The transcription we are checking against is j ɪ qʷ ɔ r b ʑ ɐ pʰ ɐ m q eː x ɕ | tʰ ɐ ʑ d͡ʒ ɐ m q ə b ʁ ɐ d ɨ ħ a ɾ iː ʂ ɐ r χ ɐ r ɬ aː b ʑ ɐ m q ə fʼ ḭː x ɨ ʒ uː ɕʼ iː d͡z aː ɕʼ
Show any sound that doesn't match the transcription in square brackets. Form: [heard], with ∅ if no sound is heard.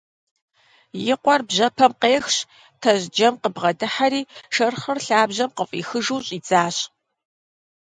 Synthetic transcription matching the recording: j ɪ qʷ ɔ r b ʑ ɐ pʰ ɐ m q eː x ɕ | tʰ ɐ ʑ d͡ʒ ɐ m q ə b ʁ ɐ d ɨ ħ a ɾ iː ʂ ɐ r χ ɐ r ɬ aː b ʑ ɐ m q ə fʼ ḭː x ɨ ʒ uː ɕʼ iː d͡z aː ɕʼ